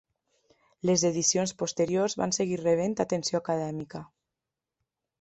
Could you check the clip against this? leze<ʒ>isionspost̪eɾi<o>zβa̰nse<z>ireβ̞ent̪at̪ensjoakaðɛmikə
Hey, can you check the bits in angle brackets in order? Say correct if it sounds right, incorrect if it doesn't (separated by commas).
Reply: incorrect, correct, incorrect